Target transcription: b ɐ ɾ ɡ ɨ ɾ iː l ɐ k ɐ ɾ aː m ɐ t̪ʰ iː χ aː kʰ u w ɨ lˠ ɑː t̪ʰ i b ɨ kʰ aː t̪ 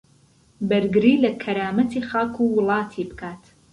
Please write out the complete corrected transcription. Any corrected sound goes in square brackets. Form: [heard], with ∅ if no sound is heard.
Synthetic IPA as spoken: b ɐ ɾ ɡ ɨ ɾ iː l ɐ [kʰ] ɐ ɾ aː m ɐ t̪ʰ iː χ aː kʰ u w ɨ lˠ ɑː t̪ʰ i b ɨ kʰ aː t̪